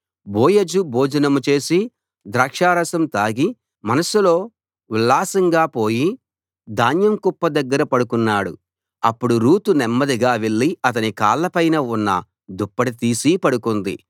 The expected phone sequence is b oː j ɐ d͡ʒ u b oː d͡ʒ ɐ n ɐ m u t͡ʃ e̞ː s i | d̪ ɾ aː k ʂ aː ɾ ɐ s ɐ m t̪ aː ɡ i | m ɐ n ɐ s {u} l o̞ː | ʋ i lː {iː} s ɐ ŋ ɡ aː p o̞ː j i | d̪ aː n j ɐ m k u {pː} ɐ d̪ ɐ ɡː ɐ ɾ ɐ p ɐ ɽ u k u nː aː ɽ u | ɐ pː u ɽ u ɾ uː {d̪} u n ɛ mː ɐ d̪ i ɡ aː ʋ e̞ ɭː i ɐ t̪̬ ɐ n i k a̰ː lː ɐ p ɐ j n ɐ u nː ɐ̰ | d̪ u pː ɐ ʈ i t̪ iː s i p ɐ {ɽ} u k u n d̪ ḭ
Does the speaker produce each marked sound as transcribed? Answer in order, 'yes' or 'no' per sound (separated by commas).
yes, no, yes, no, yes